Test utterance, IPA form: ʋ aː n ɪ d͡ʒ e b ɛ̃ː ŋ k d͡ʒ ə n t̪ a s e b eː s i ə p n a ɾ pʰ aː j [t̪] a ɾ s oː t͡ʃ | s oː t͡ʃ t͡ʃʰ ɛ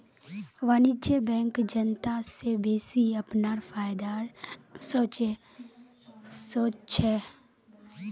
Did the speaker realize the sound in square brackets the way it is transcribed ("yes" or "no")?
no